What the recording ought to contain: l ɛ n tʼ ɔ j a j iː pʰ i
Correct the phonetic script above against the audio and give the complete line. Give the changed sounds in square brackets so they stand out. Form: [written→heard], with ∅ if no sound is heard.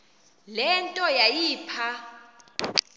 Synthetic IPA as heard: l ɛ n tʼ ɔ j a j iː pʰ [i→a]